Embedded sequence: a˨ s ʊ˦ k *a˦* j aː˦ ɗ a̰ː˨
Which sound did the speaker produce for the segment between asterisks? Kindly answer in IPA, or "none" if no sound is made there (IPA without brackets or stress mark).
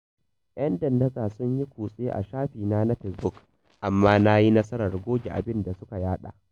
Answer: a˨